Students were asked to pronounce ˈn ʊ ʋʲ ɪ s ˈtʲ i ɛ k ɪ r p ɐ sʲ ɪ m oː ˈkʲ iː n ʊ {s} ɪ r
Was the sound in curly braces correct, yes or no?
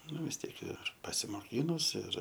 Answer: yes